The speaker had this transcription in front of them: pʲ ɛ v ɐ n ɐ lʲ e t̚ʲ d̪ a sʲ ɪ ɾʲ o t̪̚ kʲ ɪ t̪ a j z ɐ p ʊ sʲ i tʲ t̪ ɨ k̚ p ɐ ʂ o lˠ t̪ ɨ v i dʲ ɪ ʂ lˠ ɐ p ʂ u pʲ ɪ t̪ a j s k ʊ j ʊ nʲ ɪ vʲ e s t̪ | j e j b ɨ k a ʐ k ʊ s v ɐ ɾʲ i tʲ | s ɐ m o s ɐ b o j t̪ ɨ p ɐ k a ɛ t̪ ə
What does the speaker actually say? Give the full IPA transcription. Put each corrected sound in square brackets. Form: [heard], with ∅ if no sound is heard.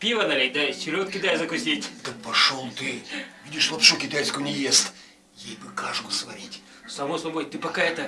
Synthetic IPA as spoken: pʲ [i] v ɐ n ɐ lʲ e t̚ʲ d̪ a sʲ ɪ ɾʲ o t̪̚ kʲ ɪ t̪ a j z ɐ [k] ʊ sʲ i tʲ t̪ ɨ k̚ p ɐ ʂ o lˠ t̪ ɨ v i dʲ ɪ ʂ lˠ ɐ p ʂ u [kʲ] ɪ t̪ a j s k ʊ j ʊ nʲ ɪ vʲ e s t̪ | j e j b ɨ k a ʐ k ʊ s v ɐ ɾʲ i tʲ | s ɐ m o s ɐ b o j t̪ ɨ p ɐ k a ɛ t̪ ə

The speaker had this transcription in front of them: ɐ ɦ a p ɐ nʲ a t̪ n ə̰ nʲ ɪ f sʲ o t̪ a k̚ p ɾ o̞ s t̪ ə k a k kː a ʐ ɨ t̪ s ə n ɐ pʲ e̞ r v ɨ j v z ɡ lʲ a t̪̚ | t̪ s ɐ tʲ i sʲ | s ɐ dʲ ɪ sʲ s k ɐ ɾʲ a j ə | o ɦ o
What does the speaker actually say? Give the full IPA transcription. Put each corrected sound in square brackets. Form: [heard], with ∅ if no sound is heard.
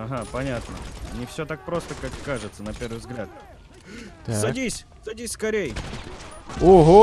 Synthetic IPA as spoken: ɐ ɦ a p ɐ nʲ a t̪ n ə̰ nʲ ɪ f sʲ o t̪ a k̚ p ɾ o̞ s t̪ ə k a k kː a ʐ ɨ t̪ s ə n ɐ pʲ e̞ r v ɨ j v z ɡ lʲ a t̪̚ | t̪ s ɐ [dʲ] i sʲ | s ɐ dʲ [i] sʲ s k ɐ ɾʲ [e] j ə | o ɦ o

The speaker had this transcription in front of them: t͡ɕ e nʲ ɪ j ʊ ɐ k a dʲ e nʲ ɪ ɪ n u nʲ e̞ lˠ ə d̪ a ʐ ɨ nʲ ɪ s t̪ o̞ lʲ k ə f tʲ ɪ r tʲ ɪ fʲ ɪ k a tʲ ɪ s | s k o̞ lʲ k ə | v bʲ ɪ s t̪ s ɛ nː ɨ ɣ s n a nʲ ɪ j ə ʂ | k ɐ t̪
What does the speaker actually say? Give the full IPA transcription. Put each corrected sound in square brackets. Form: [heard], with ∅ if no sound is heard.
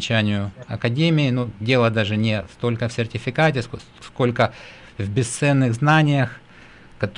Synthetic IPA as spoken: t͡ɕ [æ] nʲ ɪ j ʊ ɐ k [ɐ] dʲ e [mʲ] ɪ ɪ n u [dʲ] e̞ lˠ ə d̪ a ʐ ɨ nʲ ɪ s t̪ o̞ lʲ k ə f [sʲ] ɪ r tʲ ɪ fʲ ɪ k a tʲ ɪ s | s k o̞ lʲ k ə | v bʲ ɪ s t̪ s ɛ nː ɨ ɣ [z] n a nʲ ɪ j ə [x] | k ɐ t̪

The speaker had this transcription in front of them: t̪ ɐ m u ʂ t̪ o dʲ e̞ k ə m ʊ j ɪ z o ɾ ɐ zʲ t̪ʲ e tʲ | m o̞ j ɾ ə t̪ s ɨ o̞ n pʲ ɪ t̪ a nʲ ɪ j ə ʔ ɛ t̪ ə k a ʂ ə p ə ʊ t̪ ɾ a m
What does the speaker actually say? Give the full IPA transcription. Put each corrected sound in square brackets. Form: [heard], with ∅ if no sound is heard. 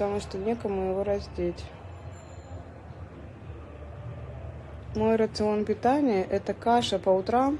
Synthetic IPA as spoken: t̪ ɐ m u ʂ t̪ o [nʲ] e̞ k ə m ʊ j ɪ [v] o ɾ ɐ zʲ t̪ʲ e tʲ | m o̞ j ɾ ə t̪ s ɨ o̞ n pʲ ɪ t̪ a nʲ ɪ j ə ʔ ɛ t̪ ə k a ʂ ə p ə ʊ t̪ ɾ a m

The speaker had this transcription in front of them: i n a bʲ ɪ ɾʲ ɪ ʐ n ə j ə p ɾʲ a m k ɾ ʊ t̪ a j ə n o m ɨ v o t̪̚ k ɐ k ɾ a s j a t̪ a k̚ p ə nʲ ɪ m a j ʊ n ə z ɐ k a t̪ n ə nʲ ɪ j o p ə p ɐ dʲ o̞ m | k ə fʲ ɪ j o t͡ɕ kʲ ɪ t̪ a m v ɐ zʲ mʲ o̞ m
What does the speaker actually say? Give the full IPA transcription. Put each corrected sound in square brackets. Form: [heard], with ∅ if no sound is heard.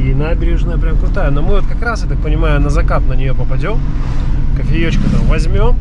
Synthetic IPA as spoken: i n a bʲ ɪ ɾʲ ɪ ʐ n ə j ə p ɾʲ a m k ɾ ʊ t̪ a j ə n o m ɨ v o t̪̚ k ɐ k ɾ a s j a t̪ a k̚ p ə nʲ ɪ m a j ʊ n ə z ɐ k a t̪ n ə nʲ ɪ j o p ə p ɐ dʲ o̞ m | k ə fʲ ɪ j o t͡ɕ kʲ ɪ t̪ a m v ɐ zʲ mʲ o̞ m

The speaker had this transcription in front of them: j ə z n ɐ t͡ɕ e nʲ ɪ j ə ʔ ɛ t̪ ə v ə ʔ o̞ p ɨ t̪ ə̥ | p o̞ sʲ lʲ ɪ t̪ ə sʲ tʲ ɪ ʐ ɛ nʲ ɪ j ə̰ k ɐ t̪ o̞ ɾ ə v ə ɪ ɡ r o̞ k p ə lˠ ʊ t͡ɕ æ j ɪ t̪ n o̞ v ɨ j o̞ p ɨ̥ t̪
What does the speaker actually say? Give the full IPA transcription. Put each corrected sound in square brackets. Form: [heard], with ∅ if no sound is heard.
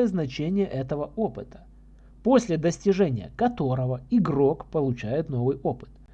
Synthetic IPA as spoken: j ə z n ɐ t͡ɕ e nʲ ɪ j ə ʔ ɛ t̪ ə v ə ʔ o̞ p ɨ t̪ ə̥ | p o̞ sʲ lʲ ɪ [d̪] ə sʲ tʲ ɪ ʐ ɛ nʲ ɪ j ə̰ k ɐ t̪ o̞ ɾ ə v ə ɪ ɡ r o̞ k p ə lˠ ʊ t͡ɕ æ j ɪ t̪ n o̞ v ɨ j o̞ p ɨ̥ t̪

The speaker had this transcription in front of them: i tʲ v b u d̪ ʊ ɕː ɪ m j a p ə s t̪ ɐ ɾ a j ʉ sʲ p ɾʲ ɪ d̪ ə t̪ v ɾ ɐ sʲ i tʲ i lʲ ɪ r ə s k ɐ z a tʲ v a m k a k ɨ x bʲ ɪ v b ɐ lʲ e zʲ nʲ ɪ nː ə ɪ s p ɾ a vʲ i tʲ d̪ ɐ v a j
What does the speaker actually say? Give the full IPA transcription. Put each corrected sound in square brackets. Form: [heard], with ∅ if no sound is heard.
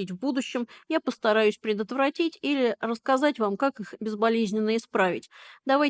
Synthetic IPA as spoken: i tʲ v b u d̪ ʊ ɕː ɪ m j a p ə s t̪ ɐ ɾ a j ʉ sʲ p ɾʲ ɪ d̪ ə t̪ v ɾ ɐ [tʲ] i tʲ i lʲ ɪ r ə s k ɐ z a tʲ v a m k a k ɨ x bʲ ɪ [z] b ɐ lʲ e zʲ nʲ ɪ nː ə ɪ s p ɾ a vʲ [ɪ] tʲ d̪ ɐ v a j

